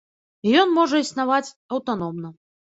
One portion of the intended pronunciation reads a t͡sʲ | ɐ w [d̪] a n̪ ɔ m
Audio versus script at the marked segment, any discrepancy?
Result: yes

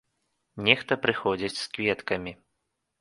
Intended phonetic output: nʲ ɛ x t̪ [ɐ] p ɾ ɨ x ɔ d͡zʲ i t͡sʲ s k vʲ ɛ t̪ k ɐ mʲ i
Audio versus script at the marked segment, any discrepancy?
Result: no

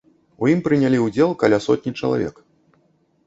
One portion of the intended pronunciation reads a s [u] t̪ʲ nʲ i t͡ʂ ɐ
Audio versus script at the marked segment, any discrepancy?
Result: yes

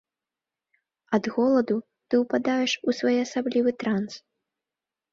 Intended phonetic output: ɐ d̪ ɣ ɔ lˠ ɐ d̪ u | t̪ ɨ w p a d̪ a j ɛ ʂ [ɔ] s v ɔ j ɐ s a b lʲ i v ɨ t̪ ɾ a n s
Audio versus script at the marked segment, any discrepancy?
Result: yes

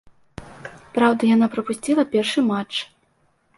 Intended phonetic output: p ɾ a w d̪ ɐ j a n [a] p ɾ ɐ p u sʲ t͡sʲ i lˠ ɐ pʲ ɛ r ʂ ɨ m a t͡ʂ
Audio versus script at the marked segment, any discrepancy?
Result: no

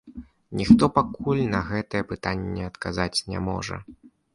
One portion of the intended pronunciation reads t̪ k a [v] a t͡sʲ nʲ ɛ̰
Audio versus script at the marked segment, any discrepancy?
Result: yes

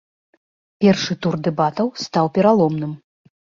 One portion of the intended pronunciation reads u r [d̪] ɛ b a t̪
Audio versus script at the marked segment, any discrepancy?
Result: no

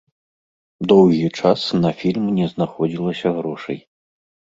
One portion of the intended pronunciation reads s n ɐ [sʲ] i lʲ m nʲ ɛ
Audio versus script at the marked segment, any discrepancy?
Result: yes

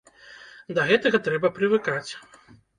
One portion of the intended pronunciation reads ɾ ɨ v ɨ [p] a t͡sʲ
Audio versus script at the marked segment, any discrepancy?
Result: yes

